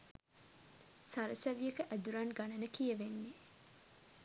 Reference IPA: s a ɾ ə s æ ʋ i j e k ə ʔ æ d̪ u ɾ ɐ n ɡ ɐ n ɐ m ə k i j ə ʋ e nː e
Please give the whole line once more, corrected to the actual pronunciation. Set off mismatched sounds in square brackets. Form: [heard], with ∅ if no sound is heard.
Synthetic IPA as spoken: s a ɾ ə s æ ʋ i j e k ə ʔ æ d̪ u ɾ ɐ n ɡ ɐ n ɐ [n] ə k i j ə ʋ e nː e